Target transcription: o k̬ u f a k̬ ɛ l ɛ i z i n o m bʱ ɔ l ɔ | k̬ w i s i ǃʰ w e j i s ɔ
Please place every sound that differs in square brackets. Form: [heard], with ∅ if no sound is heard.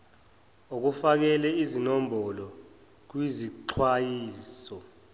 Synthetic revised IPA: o k̬ u f a k̬ ɛ l ɛ i z i n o m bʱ ɔ l ɔ | k̬ w i [z] i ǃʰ w [a] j [iː] s ɔ